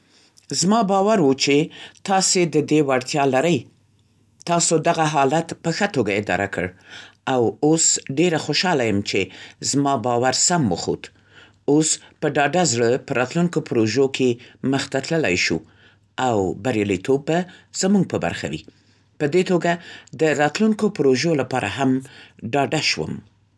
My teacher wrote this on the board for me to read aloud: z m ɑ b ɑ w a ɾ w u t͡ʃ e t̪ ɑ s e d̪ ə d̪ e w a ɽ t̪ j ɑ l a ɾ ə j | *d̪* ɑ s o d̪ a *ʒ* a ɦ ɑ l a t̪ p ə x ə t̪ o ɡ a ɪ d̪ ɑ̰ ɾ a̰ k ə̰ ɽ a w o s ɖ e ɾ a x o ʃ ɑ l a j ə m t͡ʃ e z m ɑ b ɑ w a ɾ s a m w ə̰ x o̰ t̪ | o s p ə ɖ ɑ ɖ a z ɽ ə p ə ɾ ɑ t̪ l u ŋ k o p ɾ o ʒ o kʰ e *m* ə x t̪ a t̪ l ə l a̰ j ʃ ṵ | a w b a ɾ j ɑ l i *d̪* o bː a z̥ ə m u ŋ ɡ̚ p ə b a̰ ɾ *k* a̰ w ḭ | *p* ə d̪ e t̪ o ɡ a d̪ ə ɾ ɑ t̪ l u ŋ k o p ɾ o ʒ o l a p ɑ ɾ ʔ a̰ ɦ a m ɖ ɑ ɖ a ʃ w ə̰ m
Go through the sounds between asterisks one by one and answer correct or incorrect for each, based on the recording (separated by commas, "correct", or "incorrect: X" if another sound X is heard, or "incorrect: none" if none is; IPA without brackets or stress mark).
incorrect: t̪, incorrect: ɣ, correct, incorrect: t̪, incorrect: x, correct